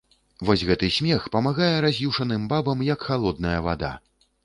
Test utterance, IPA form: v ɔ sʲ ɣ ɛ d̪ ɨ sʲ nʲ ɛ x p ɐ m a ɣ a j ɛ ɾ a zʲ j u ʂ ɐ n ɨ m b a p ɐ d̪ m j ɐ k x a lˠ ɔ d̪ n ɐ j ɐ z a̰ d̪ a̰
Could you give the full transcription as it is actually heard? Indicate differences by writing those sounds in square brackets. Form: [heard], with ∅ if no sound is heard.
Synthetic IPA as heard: v ɔ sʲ ɣ ɛ [t̪] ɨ sʲ [mʲ] ɛ x p ɐ m a ɣ a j ɛ ɾ a zʲ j u ʂ ɐ n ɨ m b a [b] ɐ [∅] m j ɐ k x a lˠ ɔ d̪ n ɐ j ɐ [v] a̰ d̪ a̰